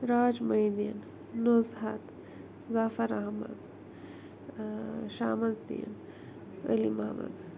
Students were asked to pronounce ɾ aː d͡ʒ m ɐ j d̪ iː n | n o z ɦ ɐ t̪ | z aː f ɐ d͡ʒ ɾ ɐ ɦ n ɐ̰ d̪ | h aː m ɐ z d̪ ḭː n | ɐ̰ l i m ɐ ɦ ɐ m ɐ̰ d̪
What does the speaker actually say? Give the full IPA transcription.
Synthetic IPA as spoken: ɾ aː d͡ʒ m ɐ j d̪ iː n | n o z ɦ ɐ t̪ | z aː f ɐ ɾ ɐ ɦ m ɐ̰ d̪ | ʃ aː m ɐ z d̪ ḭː n | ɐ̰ l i m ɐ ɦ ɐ m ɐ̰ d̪